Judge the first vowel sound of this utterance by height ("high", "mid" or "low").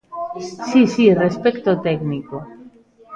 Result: high